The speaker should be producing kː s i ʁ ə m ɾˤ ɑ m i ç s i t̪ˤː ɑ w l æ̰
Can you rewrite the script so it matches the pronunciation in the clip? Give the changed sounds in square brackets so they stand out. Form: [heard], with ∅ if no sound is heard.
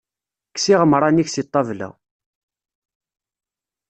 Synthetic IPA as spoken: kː s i ʁ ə m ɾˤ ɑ [n] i ç s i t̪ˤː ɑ [v] l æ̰